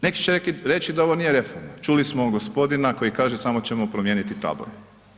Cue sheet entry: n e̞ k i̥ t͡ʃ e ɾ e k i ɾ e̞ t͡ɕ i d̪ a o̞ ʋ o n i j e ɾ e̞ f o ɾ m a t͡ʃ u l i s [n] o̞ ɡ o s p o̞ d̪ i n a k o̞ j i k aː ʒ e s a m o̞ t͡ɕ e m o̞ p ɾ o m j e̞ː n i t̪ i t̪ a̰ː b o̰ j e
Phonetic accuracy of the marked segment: incorrect: m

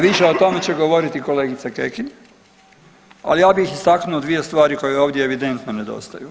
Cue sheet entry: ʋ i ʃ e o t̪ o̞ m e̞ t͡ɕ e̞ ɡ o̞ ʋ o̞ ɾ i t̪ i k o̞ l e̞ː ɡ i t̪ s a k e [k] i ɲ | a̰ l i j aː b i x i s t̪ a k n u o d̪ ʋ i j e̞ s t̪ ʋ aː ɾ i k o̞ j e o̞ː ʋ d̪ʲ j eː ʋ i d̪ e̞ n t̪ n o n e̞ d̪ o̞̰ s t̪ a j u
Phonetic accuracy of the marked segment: correct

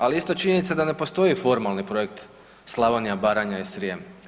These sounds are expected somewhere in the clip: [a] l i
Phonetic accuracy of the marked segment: correct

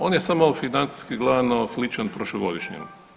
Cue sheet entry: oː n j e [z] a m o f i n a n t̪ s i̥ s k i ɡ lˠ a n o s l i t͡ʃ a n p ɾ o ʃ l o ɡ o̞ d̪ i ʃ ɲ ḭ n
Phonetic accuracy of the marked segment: incorrect: s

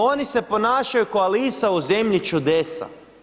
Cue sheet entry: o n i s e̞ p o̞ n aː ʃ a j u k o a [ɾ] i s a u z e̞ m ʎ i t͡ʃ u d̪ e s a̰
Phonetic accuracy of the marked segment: incorrect: l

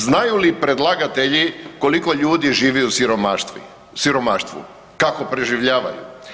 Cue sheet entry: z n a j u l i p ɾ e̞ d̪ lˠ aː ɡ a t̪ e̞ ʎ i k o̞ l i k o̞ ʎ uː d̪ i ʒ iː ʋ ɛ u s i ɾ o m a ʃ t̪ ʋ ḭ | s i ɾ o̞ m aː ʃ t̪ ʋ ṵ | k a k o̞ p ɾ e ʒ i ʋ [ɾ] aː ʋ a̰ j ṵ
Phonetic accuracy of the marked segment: incorrect: ʎ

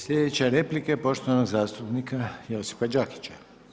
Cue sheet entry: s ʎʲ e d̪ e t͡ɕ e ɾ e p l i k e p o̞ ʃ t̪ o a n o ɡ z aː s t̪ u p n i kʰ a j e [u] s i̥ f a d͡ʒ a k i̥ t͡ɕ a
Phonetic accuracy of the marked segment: incorrect: o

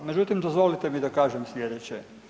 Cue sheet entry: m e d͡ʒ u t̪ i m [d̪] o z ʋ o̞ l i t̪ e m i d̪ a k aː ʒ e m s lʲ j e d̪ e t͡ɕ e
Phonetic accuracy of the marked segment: correct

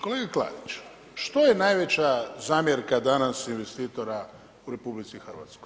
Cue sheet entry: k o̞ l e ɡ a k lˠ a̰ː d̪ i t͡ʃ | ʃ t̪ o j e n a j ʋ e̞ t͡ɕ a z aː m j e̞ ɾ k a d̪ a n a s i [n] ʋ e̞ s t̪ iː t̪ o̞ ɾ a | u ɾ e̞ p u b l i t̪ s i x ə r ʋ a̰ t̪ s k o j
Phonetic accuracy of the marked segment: correct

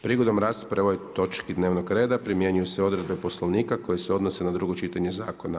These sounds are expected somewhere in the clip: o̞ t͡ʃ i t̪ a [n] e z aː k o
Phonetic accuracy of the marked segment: incorrect: ɲ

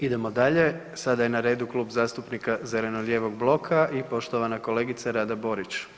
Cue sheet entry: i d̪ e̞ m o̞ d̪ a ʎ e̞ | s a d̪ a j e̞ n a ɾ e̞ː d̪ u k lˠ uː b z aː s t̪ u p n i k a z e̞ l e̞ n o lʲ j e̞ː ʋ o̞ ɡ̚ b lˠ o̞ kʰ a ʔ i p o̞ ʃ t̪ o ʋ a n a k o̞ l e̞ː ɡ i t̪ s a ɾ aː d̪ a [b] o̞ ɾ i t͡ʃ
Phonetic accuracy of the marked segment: correct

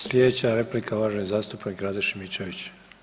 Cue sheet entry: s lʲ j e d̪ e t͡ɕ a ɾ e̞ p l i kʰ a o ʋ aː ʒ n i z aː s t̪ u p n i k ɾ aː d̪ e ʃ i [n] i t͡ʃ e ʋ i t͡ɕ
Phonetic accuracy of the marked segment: incorrect: m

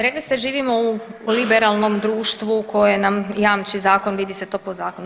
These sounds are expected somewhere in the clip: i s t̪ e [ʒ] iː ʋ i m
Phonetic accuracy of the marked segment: correct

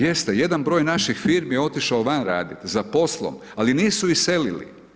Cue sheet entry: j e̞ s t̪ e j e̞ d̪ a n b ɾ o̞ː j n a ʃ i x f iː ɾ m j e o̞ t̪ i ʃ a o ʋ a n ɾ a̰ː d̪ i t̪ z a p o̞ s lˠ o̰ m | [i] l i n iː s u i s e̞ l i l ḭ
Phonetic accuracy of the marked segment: incorrect: a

